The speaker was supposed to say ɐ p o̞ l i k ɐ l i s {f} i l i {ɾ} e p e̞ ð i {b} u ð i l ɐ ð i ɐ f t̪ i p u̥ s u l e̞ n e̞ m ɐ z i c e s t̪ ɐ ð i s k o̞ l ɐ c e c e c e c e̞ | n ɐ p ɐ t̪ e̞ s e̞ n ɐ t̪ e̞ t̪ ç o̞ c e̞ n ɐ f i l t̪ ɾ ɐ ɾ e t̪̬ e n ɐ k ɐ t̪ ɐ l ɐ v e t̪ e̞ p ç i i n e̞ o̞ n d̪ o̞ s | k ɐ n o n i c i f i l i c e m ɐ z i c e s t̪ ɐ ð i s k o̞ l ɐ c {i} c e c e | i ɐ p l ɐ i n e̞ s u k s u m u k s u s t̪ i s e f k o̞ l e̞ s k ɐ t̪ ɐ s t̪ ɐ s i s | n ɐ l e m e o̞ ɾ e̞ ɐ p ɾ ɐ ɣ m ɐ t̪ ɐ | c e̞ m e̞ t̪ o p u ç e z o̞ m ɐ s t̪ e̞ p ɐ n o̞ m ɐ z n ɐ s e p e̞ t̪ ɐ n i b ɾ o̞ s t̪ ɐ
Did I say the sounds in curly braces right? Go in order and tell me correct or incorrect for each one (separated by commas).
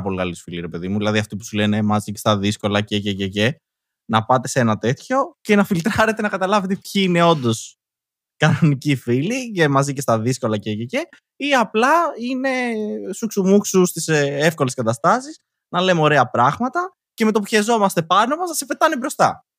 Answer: correct, correct, incorrect, incorrect